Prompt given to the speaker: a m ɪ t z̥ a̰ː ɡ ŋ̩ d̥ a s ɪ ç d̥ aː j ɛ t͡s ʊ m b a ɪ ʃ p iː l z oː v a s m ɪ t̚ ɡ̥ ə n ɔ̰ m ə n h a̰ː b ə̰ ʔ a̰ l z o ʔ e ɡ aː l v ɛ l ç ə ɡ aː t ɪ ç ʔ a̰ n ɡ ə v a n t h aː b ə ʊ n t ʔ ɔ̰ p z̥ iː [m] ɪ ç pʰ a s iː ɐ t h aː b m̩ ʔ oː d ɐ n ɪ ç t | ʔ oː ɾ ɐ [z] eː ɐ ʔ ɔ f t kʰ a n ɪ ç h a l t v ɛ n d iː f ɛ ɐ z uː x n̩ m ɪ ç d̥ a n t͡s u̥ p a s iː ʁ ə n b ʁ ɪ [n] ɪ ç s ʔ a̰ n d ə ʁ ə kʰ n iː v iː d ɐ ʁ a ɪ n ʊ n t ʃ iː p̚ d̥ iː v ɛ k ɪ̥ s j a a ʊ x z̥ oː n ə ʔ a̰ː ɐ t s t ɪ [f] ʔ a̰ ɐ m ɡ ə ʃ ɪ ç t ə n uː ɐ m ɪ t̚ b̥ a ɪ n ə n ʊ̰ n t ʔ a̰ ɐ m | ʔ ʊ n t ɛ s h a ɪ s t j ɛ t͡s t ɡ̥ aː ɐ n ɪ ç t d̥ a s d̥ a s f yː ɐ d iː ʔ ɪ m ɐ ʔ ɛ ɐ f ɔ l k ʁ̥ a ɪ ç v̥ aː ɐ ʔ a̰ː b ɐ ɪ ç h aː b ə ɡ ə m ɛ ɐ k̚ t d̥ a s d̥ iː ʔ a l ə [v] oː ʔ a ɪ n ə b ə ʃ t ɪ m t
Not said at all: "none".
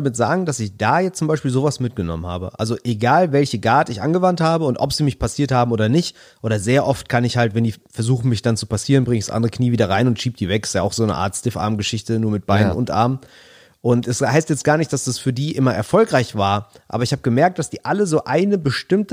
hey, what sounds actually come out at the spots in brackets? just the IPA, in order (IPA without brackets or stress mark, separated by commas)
m, z, ŋ, f, z